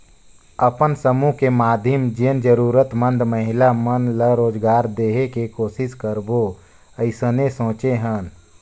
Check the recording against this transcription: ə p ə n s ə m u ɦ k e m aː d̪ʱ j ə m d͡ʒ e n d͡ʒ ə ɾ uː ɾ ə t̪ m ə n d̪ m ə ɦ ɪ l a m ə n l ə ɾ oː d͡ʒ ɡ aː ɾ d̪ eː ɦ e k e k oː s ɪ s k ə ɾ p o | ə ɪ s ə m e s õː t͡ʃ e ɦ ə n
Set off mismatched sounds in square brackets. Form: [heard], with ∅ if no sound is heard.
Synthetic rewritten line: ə p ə n s ə m u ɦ k e m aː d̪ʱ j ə m d͡ʒ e n d͡ʒ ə ɾ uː ɾ ə t̪ m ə n d̪ m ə ɦ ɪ l a m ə n l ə ɾ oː d͡ʒ ɡ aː ɾ d̪ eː ɦ e k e k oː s ɪ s k ə ɾ [b] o | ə ɪ s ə [n] e s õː t͡ʃ e ɦ ə n